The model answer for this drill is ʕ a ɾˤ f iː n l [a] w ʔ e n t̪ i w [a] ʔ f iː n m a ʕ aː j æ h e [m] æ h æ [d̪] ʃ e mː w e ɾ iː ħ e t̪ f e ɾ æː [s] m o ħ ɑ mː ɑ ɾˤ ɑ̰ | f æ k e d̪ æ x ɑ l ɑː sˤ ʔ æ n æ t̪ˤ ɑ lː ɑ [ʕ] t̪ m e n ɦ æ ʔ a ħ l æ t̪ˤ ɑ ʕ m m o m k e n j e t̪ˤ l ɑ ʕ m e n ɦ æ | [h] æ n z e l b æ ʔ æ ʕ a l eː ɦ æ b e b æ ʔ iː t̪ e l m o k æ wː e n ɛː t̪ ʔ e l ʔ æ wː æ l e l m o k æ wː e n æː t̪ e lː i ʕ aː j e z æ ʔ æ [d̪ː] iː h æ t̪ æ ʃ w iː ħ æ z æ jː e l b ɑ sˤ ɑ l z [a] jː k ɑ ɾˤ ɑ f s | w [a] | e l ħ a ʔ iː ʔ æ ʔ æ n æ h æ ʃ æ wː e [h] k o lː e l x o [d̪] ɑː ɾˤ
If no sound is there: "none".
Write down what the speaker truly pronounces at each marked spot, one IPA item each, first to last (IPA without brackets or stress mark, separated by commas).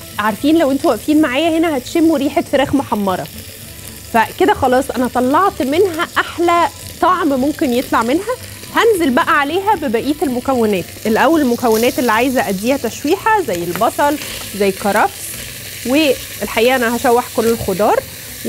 æ, æ, n, t̪, x, ʕ, h, d̪ː, æ, e, ħ, d̪